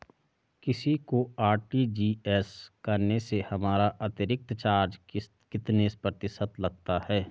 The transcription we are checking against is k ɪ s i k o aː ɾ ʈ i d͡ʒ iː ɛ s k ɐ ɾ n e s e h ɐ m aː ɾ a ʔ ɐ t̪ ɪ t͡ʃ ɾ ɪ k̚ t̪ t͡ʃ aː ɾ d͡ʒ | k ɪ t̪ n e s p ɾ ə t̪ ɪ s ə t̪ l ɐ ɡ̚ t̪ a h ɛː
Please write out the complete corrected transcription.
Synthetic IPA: k ɪ s i k o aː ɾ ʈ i d͡ʒ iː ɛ s k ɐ ɾ n e s e h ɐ m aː ɾ a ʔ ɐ t̪ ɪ ɾ ɪ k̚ t̪ t͡ʃ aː ɾ d͡ʒ | k ɪ t̪ n e s p ɾ ə t̪ ɪ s ə t̪ l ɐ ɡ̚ t̪ a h ɛː